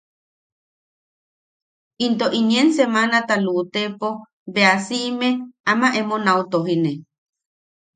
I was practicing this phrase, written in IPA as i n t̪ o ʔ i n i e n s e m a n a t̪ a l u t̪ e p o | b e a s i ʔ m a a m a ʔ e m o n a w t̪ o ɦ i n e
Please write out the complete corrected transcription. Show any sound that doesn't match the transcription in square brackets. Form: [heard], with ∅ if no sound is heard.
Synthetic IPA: i n t̪ o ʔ i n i e n s e m a n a t̪ a l u t̪ e p o | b e a s i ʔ m [e] a m a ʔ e m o n a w t̪ o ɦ i n e